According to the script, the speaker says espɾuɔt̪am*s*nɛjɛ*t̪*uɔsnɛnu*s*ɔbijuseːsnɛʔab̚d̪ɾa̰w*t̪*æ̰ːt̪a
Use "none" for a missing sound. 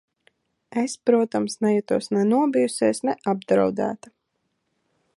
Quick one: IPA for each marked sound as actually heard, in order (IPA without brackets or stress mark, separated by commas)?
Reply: s, t̪, none, d̪